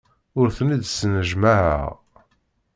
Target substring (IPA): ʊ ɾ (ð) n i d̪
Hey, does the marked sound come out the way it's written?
no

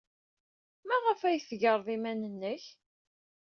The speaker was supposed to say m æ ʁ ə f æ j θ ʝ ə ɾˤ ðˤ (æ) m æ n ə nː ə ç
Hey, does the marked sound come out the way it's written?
no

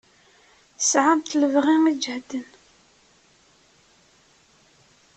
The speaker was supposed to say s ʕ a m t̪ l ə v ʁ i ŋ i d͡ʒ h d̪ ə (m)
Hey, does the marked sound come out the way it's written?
no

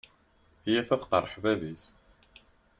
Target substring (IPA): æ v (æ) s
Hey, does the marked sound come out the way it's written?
no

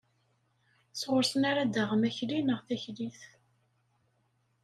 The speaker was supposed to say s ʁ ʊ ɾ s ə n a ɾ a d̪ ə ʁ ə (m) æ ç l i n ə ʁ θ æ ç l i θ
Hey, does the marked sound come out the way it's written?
yes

